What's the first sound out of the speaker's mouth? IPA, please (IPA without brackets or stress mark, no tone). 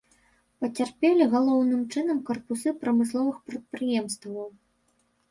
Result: p